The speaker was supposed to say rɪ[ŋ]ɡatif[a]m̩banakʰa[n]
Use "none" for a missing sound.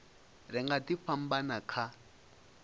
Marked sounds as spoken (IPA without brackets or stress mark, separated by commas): ŋ, a, none